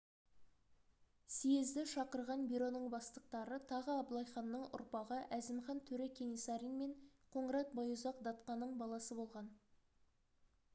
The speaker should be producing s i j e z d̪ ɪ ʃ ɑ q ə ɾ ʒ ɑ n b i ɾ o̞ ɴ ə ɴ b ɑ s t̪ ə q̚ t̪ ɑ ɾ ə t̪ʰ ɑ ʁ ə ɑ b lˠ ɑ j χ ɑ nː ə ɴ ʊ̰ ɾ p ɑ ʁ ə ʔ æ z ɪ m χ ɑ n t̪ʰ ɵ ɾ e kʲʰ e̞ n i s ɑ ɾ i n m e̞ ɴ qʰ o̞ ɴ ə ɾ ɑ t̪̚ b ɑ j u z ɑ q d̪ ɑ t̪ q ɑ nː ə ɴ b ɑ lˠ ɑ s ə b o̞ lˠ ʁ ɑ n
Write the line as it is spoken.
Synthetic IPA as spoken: s i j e z d̪ ɪ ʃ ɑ q ə ɾ ʁ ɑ n b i ɾ o̞ n ə ɴ b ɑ s t̪ ə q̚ t̪ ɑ ɾ ə t̪ʰ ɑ ʁ ə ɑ b lˠ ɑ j χ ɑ nː ə ɴ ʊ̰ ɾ p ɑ ʁ ə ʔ æ z ɪ m χ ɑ n t̪ʰ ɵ ɾ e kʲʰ e̞ n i s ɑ ɾ i n m e̞ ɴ qʰ o̞ ɴ ə ɾ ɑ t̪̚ b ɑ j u z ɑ q d̪ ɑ t̪ q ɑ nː ə ɴ b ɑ lˠ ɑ s ə b o̞ lˠ ʁ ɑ n